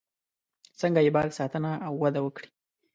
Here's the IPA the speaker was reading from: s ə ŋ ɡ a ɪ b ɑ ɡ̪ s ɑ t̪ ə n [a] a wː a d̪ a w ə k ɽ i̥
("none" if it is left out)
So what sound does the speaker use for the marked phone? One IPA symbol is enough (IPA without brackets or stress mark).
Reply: a